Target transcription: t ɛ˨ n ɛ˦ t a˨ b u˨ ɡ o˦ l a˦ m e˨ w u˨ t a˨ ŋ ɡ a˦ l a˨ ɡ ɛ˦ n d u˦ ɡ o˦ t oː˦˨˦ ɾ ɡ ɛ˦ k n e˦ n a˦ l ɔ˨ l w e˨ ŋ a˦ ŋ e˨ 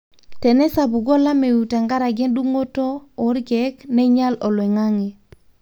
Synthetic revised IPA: t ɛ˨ n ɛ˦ s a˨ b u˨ ɡ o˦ l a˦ m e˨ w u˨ t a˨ ŋ ɡ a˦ ɾ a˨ ɡ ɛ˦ n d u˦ ŋ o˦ t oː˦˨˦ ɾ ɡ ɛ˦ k n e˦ ɲ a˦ l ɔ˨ l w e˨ ŋ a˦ ŋ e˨